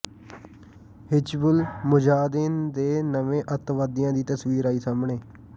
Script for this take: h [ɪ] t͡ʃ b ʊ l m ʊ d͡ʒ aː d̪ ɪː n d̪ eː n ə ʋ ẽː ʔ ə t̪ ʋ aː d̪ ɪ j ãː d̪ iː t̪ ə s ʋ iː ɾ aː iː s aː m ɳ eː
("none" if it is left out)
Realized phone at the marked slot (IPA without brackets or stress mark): ɪ